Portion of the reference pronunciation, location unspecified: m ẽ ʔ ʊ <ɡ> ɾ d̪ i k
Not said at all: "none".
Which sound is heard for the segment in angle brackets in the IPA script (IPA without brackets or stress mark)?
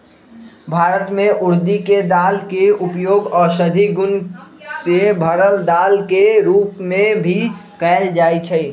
none